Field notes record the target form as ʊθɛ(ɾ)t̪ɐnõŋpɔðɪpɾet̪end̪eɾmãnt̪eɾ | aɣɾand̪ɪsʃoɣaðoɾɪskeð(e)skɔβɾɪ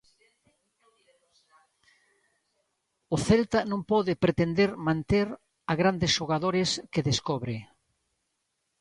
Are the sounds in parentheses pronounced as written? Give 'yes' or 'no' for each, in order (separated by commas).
no, yes